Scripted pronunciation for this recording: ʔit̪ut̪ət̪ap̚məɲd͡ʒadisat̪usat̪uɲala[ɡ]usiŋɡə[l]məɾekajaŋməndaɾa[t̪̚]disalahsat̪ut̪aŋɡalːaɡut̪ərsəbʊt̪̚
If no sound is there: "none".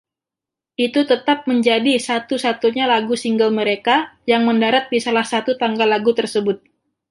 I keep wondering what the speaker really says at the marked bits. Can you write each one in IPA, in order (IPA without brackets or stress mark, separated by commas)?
ɡ, l, t̪̚